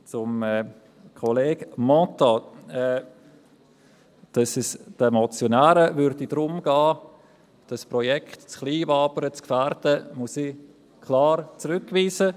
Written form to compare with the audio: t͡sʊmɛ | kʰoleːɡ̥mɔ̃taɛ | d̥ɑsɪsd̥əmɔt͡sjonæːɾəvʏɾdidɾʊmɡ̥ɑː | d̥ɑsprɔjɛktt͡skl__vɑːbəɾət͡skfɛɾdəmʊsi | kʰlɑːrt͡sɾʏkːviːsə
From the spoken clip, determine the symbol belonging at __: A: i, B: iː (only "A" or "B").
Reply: B